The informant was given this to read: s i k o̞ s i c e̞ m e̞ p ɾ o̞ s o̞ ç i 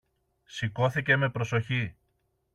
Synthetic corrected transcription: s i k o̞ θ i c e̞ m e̞ p ɾ o̞ s o̞ ç i

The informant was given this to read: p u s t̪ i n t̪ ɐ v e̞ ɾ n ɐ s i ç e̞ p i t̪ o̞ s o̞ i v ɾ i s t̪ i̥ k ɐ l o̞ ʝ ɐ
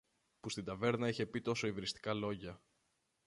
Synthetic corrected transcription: p u s t̪ i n d̪ ɐ v e̞ ɾ n ɐ i ç e̞ p i t̪ o̞ s o̞ i v ɾ i s t̪ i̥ k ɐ l o̞ ʝ ɐ

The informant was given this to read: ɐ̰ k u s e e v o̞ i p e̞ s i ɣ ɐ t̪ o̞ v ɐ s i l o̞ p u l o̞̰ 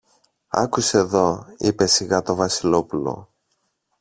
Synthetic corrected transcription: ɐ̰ k u s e e ð o̞ i p e̞ s i ɣ ɐ t̪ o̞ v ɐ s i l o̞ p u l o̞̰

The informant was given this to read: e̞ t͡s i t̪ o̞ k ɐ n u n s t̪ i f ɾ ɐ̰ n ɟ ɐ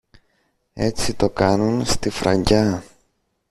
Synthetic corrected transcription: e̞ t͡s i t̪ o̞ k ɐ n u n s t̪ i f ɾ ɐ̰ ɲ ɟ ɐ

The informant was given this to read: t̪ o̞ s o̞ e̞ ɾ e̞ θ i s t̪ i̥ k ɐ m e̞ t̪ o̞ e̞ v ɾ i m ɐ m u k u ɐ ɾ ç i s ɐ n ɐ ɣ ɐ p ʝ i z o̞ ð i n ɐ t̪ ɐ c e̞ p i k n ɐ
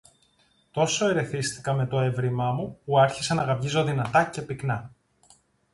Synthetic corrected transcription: t̪ o̞ s o̞ e̞ ɾ e̞ θ i s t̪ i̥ k ɐ m e̞ t̪ o̞ e̞ v ɾ i m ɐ m u p u ɐ ɾ ç i s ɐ n ɐ ɣ ɐ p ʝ i z o̞ ð i n ɐ t̪ ɐ c e̞ p i k n ɐ

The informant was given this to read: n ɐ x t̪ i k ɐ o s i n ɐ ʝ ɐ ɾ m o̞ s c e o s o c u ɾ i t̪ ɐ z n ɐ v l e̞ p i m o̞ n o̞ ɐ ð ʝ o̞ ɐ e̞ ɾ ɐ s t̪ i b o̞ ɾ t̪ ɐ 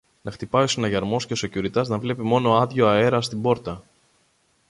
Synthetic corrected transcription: n ɐ x t̪ i p ɐ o s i n ɐ ʝ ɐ ɾ m o̞ s c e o s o c u ɾ i t̪ ɐ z n ɐ v l e̞ p i m o̞ n o̞ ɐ ð ʝ o̞ ɐ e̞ ɾ ɐ s t̪ i b o̞ ɾ t̪ ɐ

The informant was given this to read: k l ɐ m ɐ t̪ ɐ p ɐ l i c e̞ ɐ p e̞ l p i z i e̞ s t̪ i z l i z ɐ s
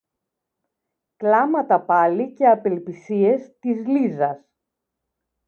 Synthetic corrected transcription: k l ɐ m ɐ t̪ ɐ p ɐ l i c e̞ ɐ p e̞ l p i s i e̞ s t̪ i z l i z ɐ s

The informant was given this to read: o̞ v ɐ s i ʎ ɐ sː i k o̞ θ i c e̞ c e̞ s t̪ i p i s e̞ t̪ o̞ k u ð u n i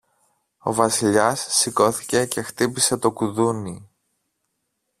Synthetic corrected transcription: o̞ v ɐ s i ʎ ɐ sː i k o̞ θ i c e̞ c e̞ x t̪ i p i s e̞ t̪ o̞ k u ð u n i

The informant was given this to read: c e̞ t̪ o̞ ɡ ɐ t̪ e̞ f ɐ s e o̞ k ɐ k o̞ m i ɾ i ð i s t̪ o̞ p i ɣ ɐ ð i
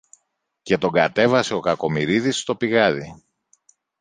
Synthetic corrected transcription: c e̞ t̪ o̞ ɡ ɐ t̪ e̞ v ɐ s e o̞ k ɐ k o̞ m i ɾ i ð i s t̪ o̞ p i ɣ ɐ ð i

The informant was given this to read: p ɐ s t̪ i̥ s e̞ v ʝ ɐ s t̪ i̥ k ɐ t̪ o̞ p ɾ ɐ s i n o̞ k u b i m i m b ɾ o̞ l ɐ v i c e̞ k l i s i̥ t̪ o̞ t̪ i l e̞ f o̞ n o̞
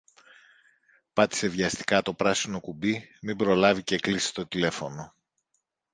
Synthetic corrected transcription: p ɐ t̪ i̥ s e̞ v ʝ ɐ s t̪ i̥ k ɐ t̪ o̞ p ɾ ɐ s i n o̞ k u b i m i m b ɾ o̞ l ɐ v i c e̞ k l i s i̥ t̪ o̞ t̪ i l e̞ f o̞ n o̞

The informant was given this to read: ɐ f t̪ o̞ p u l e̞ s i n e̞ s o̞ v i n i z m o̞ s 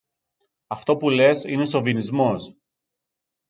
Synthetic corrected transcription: ɐ f t̪ o̞ p u l e̞ s i n e̞ s o̞ v i n i z m o̞ s

